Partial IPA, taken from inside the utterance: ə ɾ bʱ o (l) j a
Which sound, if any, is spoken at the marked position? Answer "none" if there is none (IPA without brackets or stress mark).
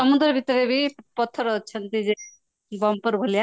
l